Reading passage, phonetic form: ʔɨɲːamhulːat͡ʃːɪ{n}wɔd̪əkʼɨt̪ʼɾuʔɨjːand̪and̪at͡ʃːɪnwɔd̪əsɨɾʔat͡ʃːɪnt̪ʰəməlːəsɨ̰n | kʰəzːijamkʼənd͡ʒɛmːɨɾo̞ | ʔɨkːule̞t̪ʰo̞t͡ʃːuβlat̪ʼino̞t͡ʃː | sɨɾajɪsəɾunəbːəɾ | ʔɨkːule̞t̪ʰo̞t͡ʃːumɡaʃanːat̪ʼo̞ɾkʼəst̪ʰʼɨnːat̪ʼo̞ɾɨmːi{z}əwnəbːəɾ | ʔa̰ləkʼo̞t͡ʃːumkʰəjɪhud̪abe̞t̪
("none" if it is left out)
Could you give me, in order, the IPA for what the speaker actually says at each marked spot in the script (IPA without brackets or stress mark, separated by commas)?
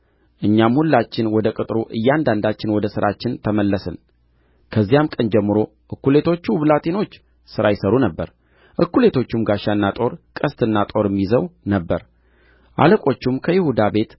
n, z